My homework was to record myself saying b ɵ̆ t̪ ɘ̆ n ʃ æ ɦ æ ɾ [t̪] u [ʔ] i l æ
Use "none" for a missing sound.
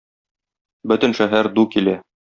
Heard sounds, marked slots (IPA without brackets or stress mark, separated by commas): d̪, k